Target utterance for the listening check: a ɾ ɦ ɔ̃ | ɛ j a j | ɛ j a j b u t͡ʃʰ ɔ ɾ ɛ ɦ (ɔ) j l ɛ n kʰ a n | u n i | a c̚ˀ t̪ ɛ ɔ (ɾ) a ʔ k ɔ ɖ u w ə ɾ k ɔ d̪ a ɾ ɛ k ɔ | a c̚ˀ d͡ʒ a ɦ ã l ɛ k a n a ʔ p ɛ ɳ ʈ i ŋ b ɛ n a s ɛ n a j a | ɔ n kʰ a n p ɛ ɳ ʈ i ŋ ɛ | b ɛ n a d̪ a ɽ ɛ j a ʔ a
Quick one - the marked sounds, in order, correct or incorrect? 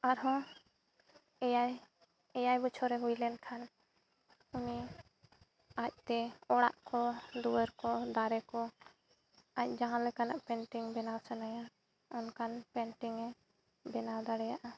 incorrect, incorrect

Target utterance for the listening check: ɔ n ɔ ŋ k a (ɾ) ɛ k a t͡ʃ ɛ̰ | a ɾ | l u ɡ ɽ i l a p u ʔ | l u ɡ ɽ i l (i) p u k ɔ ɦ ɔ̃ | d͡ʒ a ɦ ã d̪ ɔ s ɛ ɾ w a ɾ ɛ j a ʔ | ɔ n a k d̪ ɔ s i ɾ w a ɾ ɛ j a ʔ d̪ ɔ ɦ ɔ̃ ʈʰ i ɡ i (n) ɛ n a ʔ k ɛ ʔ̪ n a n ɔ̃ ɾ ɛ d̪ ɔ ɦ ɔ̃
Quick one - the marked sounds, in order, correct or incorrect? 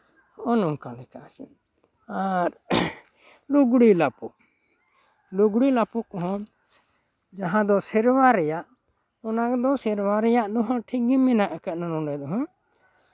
incorrect, incorrect, incorrect

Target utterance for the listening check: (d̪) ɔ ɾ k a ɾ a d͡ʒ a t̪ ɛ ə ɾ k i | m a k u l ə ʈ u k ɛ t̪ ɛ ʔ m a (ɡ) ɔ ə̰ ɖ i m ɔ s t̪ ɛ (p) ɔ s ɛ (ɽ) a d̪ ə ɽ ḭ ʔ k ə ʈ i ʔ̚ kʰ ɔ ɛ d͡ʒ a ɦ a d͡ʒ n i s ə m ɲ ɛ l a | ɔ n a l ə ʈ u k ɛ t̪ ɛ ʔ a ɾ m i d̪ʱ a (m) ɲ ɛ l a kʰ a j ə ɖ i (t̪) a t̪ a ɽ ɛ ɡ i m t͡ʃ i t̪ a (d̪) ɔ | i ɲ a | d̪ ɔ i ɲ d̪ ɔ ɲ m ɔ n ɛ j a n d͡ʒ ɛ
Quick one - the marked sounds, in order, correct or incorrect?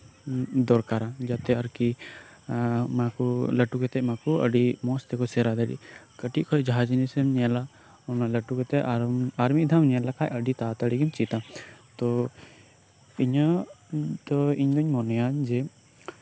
correct, incorrect, incorrect, incorrect, correct, correct, incorrect

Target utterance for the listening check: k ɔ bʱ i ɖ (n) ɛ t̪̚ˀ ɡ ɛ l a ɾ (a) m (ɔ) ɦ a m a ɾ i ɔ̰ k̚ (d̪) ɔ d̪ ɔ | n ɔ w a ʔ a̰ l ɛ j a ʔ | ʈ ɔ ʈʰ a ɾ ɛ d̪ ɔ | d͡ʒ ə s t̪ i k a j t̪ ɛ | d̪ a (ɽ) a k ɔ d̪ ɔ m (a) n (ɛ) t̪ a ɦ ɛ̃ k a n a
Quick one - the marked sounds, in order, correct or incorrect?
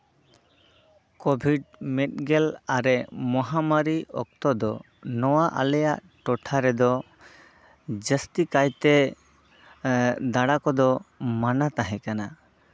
incorrect, incorrect, correct, incorrect, correct, correct, incorrect

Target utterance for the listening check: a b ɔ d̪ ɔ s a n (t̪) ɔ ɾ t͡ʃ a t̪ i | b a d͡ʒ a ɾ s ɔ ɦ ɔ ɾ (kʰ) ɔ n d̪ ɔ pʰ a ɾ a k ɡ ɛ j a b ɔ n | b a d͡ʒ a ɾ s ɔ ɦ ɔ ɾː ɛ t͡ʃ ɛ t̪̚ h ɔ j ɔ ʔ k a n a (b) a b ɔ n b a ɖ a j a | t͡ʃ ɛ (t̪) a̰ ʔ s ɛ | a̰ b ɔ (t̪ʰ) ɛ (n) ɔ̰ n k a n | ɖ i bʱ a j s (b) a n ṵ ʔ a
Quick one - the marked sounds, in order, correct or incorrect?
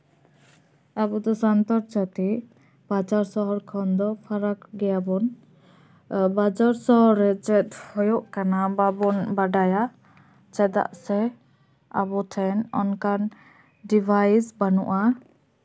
correct, correct, correct, incorrect, correct, correct, correct

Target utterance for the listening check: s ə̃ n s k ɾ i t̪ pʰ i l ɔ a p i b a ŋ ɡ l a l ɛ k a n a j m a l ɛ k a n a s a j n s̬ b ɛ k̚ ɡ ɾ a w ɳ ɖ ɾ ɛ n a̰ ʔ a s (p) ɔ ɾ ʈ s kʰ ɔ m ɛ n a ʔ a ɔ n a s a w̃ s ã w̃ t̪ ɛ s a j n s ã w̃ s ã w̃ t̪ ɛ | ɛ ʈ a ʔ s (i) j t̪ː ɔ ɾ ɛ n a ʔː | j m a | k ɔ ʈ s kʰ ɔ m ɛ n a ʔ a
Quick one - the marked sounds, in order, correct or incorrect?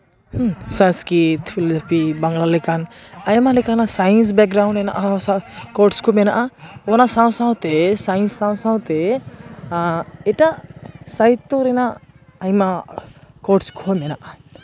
incorrect, incorrect

